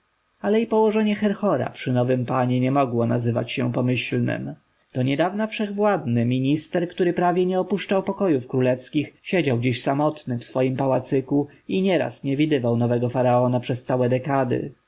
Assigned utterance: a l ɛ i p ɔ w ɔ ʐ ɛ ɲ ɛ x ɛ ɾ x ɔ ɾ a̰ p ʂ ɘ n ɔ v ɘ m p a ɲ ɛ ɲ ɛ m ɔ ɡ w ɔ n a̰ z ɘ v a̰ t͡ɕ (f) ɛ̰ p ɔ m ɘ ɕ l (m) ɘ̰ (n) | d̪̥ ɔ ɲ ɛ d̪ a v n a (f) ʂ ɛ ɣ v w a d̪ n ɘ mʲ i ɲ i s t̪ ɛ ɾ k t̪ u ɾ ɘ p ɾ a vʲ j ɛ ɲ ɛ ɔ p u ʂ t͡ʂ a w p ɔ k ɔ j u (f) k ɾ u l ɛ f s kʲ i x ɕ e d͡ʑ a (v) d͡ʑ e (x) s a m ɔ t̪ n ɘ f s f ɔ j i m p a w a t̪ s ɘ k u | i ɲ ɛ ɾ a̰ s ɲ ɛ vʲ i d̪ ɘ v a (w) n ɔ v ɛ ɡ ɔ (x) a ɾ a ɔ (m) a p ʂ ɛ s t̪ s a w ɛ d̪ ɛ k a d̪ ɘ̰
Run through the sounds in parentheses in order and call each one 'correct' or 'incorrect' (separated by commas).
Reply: incorrect, incorrect, incorrect, correct, correct, incorrect, incorrect, correct, incorrect, incorrect